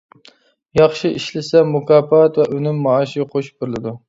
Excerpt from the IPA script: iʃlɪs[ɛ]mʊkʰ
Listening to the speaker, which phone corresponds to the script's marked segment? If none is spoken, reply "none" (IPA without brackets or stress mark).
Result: ɛ